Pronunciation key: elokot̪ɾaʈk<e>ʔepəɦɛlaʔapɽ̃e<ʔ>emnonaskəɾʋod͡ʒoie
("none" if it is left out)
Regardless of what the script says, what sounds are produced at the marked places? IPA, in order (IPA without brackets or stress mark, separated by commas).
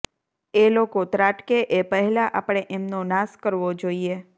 e, ʔ